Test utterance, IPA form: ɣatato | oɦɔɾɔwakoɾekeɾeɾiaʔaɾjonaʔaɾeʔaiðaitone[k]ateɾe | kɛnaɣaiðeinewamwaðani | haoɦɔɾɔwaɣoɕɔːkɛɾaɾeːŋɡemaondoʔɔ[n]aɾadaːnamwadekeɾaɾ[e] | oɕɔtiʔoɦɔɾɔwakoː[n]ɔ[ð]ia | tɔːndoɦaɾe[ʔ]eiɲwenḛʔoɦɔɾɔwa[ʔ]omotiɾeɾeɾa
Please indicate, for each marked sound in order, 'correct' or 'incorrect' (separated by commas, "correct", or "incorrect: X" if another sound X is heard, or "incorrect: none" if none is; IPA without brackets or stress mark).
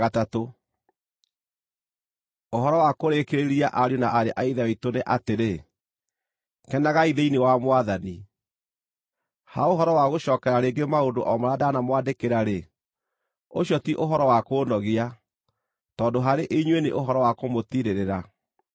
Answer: incorrect: ʔ, incorrect: m, correct, correct, incorrect: ɣ, correct, incorrect: k